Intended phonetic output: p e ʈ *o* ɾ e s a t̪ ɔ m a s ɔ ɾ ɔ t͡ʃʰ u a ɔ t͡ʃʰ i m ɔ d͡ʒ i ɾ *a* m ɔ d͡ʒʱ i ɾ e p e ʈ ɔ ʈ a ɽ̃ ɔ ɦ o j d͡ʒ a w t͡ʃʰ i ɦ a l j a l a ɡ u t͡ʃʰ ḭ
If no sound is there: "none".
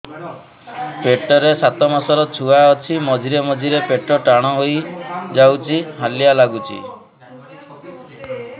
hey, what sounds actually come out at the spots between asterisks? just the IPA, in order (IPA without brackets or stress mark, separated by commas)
ɔ, e